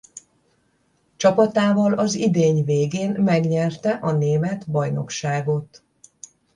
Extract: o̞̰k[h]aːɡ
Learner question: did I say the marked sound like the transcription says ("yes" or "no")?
no